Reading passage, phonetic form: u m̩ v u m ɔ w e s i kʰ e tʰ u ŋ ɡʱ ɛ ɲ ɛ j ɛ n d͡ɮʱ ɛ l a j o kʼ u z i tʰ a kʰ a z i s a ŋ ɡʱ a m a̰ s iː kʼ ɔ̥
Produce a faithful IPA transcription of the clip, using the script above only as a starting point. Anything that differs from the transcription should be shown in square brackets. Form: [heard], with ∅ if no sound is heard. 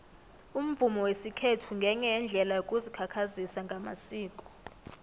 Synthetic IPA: u m̩ v u m ɔ w e s i kʰ e tʰ u ŋ ɡʱ ɛ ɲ ɛ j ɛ n d͡ɮʱ ɛ l a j o kʼ u z i [kʰ] a kʰ a z i s a ŋ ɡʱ a m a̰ s iː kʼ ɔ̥